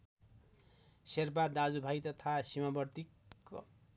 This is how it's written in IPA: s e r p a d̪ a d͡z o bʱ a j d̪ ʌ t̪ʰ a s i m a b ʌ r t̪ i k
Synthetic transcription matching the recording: s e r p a d̪ a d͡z u bʱ a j t̪ ʌ t̪ʰ a s i m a b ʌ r t̪ i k